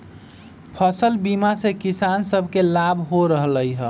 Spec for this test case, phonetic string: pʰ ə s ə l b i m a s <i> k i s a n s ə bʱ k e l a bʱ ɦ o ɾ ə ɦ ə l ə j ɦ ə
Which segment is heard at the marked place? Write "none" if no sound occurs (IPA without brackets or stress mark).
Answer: e